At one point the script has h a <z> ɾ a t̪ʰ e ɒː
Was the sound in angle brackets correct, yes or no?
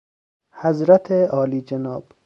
yes